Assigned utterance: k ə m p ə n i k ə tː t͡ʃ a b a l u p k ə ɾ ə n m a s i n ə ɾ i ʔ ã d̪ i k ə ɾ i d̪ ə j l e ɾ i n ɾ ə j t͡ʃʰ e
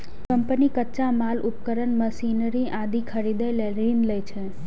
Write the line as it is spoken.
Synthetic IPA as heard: k ə m p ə n i k ə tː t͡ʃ a m a l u p k ə ɾ ə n m ə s i n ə ɾ i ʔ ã d̪ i kʰ ə ɾ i d̪ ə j l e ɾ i n l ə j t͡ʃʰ e

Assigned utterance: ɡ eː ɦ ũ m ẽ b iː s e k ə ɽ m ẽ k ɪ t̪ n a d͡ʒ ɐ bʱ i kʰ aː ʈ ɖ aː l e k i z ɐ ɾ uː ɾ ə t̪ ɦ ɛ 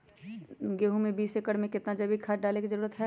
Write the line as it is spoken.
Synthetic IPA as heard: ɡ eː ɦ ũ m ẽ b iː s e k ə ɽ m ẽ k ɪ t̪ n a d͡ʒ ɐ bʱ i kʰ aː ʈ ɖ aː l e k i z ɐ ɾ uː ɾ ə t̪ ɦ ɛ

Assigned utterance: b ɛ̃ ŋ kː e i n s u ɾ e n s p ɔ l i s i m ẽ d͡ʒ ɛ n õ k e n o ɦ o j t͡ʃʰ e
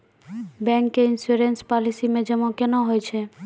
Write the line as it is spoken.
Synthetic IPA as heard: b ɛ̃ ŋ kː e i n s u ɾ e n s p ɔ l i s i m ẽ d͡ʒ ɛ m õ k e n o ɦ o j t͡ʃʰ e

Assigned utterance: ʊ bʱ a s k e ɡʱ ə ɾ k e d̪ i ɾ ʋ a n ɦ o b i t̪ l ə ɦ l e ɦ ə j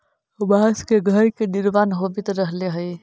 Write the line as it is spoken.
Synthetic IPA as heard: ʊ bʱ a s k e ɡʱ ə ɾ k e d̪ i ɾ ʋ a n ɦ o b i t̪ ɾ ə ɦ l e ɦ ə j

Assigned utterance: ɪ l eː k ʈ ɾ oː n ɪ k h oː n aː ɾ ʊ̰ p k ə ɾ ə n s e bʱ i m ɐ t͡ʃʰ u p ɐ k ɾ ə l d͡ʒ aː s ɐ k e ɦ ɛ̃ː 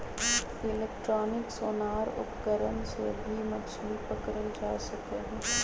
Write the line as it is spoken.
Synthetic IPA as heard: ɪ l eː k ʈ ɾ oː n ɪ k s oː n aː ɾ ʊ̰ p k ə ɾ ə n s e bʱ i m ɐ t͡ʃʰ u p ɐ k ɾ ə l d͡ʒ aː s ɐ k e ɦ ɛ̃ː

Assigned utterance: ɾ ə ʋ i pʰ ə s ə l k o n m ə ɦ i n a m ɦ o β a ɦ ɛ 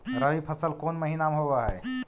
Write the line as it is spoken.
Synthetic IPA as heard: ɾ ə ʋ i pʰ ə s ə l k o n m ə ɦ i n a m ɦ o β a ɦ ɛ

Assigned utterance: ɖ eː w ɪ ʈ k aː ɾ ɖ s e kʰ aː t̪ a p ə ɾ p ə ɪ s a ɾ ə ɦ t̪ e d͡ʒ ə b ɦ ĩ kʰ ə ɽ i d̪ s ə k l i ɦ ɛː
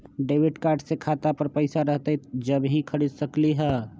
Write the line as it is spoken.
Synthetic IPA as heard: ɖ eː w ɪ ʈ k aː ɾ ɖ s e kʰ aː t̪ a p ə ɾ p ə ɪ s a ɾ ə ɦ t̪ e d͡ʒ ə b ɦ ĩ kʰ ə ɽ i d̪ s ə k l i ɦ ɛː

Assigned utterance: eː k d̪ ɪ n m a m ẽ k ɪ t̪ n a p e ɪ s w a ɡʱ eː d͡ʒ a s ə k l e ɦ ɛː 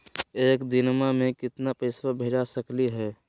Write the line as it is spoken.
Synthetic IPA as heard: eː k d̪ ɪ n m a m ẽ k ɪ t̪ n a p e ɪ s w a bʱ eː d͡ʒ a s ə k l i ɦ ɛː

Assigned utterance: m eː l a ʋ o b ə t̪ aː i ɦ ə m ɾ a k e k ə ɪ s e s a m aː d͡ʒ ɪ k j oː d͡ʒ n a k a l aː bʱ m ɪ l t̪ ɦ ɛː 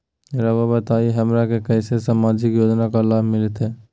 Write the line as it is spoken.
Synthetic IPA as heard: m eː ɾ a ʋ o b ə t̪ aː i ɦ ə m ɾ a k e k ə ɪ s e s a m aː d͡ʒ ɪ k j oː d͡ʒ n a k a l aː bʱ m ɪ l t̪ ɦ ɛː

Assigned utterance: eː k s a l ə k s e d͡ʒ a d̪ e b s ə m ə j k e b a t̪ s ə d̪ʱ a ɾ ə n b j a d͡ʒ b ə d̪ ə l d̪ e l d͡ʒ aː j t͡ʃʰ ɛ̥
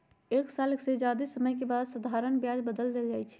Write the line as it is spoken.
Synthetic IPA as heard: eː k s a l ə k s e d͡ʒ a d̪ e s ə m ə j k e b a d̪ s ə d̪ʱ a ɾ ə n b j a d͡ʒ b ə d̪ ə l d̪ e l d͡ʒ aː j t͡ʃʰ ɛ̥

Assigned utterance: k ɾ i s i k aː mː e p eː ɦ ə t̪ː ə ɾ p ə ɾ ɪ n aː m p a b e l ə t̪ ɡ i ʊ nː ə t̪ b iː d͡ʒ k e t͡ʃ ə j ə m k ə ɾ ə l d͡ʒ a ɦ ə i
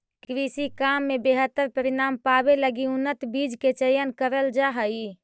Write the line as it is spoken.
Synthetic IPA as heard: k ɾ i s i k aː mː e b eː ɦ ə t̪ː ə ɾ p ə ɾ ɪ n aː m p a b e l ə ɡ i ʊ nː ə t̪ b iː d͡ʒ k e t͡ʃ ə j ə n k ə ɾ ə l d͡ʒ a ɦ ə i

